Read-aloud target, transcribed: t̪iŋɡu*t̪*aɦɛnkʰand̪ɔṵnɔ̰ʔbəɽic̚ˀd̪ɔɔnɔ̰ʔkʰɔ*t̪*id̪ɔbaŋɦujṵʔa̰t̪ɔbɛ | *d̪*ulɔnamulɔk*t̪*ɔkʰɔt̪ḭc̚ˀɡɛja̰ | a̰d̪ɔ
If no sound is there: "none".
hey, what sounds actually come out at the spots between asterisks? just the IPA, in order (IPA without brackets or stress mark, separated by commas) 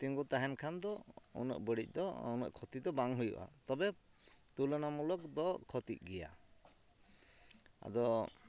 t̪, t̪, t̪, d̪